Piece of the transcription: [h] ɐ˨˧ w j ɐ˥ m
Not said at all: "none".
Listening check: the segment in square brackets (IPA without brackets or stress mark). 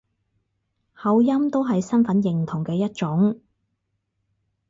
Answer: h